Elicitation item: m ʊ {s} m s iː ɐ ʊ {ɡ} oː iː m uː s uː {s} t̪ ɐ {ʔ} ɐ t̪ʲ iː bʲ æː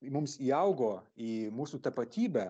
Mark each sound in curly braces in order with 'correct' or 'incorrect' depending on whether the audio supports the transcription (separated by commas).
incorrect, correct, incorrect, incorrect